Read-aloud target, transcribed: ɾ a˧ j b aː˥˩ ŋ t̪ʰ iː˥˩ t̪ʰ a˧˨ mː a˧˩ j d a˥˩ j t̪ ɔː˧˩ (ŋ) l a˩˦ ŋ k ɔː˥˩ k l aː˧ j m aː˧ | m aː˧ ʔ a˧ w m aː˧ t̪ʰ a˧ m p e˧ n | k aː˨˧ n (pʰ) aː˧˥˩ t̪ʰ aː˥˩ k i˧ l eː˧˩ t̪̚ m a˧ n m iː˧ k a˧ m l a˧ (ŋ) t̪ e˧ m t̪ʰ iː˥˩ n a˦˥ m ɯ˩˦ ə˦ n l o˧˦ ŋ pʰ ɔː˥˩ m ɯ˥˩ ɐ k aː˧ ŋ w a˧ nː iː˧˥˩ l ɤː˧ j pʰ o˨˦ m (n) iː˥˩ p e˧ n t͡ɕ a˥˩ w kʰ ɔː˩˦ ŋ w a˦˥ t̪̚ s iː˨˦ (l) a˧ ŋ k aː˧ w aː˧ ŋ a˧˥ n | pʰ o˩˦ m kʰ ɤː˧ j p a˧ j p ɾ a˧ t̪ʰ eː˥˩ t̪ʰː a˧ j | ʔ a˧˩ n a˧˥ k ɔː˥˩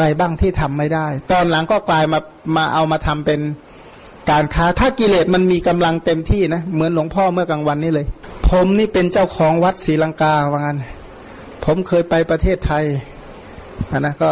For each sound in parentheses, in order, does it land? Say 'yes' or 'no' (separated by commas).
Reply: no, no, yes, yes, yes